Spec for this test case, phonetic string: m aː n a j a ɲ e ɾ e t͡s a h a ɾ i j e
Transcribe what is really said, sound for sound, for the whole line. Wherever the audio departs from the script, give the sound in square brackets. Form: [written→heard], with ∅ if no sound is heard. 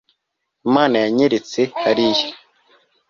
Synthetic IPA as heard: m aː n a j a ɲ e ɾ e t͡s [a→e] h a ɾ i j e

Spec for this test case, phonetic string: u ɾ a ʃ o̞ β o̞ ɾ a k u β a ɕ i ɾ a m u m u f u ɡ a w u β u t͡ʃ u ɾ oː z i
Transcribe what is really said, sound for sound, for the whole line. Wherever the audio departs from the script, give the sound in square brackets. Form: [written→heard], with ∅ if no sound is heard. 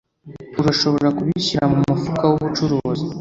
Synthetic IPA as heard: u ɾ a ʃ o̞ β o̞ ɾ a k u β [a→i] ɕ i ɾ a m u m u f u [ɡ→k] a w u β u t͡ʃ u ɾ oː z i

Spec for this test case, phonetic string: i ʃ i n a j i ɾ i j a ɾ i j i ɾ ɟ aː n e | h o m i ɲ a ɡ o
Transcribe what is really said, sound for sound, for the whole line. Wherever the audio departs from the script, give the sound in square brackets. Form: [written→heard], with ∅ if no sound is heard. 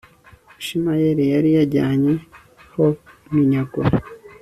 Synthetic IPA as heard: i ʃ i [n→m] a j [i→e] ɾ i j a ɾ i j [i→a] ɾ ɟ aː [n→ɲ] e | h o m i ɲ a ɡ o

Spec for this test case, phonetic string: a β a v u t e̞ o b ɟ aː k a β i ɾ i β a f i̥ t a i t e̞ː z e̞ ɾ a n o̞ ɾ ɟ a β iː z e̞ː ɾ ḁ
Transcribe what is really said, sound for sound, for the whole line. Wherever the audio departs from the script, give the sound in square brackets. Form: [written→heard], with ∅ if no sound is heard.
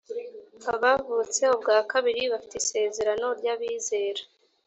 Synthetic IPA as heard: a β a v u [t→t͡s] e̞ o b [ɟ→ɡ] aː k a β i ɾ i β a f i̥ t [a→e] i [t→s] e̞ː z e̞ ɾ a n o̞ ɾ ɟ a β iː z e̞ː ɾ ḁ

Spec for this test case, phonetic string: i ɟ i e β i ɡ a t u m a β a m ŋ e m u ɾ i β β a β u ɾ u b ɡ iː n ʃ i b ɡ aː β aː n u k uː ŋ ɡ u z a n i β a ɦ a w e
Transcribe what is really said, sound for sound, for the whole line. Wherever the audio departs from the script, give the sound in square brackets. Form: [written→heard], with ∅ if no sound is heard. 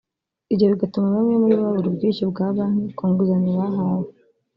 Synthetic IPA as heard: i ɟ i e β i ɡ a t u m a β a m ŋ e m u ɾ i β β a β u ɾ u b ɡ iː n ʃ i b ɡ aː β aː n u k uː ŋ ɡ u z a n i β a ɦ a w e

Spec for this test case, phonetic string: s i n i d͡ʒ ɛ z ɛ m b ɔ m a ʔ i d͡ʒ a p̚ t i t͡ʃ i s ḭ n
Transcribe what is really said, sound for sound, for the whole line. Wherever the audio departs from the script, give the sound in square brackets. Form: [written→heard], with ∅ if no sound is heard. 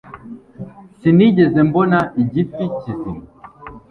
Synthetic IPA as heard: s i n i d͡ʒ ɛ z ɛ m b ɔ [m→n] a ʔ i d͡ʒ [a→i] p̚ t i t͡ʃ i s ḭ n

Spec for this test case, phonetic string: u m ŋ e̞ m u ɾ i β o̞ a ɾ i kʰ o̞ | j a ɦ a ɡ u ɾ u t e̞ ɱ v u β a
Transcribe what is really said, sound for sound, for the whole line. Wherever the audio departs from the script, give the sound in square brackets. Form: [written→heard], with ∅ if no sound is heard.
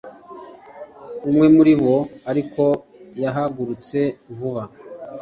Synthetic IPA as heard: u m ŋ e̞ m u ɾ i β o̞ a ɾ i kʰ o̞ | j a ɦ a ɡ u ɾ u [t→t͡s] e̞ ɱ v u β a

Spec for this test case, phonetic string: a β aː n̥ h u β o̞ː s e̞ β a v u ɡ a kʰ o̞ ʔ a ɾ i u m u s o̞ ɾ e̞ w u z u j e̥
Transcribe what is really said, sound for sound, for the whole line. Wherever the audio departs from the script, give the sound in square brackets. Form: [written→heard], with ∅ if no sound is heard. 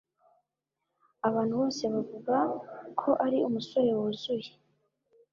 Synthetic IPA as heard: a β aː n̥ h u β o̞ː s e̞ β a v u ɡ a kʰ o̞ ʔ a ɾ i u m u s o̞ ɾ e̞ w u z u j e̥

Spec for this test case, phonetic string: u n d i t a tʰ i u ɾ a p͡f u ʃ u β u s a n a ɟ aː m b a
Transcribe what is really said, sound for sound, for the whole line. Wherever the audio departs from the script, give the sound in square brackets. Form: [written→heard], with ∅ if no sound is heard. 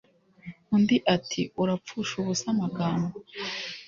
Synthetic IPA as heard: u n d i [t→ʔ] a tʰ i u ɾ a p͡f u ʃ u β u s a [n→m] a [ɟ→ɡ] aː m b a

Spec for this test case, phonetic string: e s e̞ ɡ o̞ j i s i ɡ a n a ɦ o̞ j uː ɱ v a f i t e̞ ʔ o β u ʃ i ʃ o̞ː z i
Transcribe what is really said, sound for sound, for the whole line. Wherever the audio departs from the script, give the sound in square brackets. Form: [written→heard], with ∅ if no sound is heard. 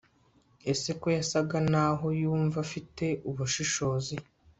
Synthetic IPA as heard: e s e̞ [ɡ→k] o̞ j [i→a] s [i→a] ɡ a n a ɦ o̞ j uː ɱ v a f i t e̞ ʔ [o→u] β u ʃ i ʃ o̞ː z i

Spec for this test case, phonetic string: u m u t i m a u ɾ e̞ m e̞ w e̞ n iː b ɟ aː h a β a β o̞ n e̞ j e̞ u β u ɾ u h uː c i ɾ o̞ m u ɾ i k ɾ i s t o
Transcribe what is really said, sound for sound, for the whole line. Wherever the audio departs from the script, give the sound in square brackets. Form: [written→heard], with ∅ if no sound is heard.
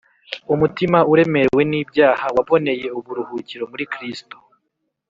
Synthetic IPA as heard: u m u t i m a u ɾ e̞ m e̞ w e̞ n iː b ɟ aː h a [β→w] a β o̞ n e̞ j e̞ u β u ɾ u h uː c i ɾ o̞ m u ɾ i k ɾ i s t o

